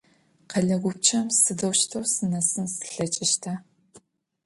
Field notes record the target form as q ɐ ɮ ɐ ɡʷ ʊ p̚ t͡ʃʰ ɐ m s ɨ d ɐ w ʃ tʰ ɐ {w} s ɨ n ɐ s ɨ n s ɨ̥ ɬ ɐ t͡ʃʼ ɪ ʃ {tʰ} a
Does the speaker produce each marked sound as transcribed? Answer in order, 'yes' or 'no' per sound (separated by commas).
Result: yes, yes